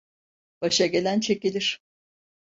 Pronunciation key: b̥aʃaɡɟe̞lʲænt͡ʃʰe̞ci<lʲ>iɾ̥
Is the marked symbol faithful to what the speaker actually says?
yes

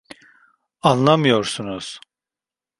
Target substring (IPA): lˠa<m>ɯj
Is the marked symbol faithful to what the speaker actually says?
yes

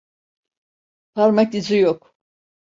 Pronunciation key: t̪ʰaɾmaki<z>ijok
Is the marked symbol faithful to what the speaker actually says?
yes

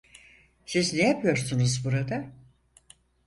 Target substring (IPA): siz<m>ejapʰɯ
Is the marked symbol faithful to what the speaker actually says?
no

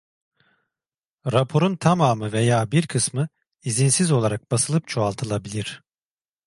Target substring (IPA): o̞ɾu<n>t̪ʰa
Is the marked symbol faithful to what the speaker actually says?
yes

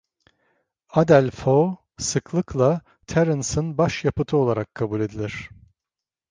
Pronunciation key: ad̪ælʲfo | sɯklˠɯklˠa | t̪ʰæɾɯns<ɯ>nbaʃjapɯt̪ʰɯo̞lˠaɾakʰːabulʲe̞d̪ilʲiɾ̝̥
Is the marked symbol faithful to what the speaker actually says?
yes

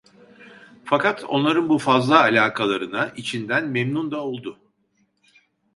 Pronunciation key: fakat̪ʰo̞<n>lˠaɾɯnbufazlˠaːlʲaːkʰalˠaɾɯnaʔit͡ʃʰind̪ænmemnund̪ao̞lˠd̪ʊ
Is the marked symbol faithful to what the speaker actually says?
yes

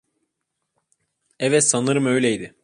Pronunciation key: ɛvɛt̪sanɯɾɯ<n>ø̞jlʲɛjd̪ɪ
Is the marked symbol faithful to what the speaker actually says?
no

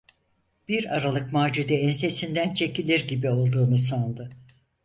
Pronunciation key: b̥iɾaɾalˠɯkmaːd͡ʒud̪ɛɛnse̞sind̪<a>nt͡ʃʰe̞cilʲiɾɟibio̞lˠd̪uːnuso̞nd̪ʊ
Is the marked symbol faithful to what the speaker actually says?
no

